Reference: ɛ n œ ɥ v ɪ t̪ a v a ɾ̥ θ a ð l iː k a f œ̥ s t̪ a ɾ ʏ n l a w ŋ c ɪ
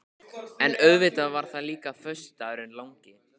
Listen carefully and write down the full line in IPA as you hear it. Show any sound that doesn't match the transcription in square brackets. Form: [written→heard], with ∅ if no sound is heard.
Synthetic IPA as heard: ɛ n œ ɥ v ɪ t̪ a v a ɾ̥ θ a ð l iː k a f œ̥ s t̪ a ɾ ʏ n l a w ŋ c ɪ